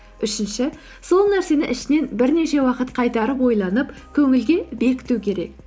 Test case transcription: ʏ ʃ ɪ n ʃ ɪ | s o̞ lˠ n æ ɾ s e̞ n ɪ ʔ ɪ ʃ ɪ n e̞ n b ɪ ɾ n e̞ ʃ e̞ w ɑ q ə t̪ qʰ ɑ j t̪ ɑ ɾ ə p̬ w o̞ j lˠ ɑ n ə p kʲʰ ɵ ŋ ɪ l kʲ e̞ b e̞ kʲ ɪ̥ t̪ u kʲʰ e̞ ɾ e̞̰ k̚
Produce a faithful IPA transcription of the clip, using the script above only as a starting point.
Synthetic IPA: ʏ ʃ ɪ n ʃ ɪ | s o̞ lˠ n æ ɾ s e̞ n ɪ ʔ ɪ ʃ ɪ n e̞ n b ɪ ɾ n e̞ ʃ e̞ w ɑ q ə t̪ qʰ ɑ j t̪ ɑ ɾ ə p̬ w o̞ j lˠ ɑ n ə p kʲʰ ɵ ŋ ɪ l ɡʲ e̞ b e̞ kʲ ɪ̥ t̪ u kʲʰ e̞ ɾ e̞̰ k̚